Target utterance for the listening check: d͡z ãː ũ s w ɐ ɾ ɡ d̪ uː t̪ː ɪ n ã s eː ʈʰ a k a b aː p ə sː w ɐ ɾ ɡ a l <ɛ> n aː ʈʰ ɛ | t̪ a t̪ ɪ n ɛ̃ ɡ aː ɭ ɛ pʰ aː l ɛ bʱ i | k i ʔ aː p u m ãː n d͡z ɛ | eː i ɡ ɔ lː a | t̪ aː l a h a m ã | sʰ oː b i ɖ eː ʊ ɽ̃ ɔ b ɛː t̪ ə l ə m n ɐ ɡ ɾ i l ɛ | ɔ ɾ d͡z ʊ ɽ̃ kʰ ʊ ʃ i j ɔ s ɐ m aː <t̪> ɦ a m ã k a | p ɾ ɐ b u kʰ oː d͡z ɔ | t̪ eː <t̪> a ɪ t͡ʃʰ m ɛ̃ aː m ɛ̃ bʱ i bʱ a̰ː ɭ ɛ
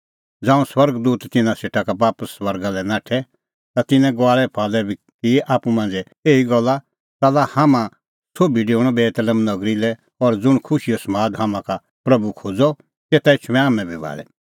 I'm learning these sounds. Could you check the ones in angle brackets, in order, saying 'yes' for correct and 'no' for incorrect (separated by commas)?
yes, no, yes